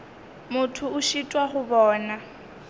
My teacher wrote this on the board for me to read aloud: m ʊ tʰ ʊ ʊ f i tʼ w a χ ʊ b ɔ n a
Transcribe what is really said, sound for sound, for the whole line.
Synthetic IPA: m ʊ tʰ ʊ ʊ ʃ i tʼ w a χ ʊ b ɔː n a